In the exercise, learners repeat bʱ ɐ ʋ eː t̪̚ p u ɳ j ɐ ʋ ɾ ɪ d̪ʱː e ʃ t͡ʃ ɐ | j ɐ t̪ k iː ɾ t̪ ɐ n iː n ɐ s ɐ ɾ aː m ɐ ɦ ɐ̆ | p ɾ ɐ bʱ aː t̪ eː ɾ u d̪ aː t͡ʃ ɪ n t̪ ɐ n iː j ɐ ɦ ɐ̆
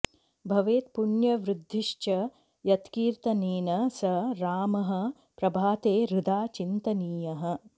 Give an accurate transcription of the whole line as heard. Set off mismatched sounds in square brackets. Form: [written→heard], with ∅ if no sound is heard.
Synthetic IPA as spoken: bʱ ɐ ʋ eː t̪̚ p u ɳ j ɐ ʋ ɾ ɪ d̪ʱː [e→i] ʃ t͡ʃ ɐ | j ɐ t̪ k iː ɾ t̪ ɐ n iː n ɐ s ɐ ɾ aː m ɐ ɦ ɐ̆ | p ɾ ɐ bʱ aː t̪ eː ɾ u d̪ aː t͡ʃ [ɪ→i] n t̪ ɐ n iː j ɐ ɦ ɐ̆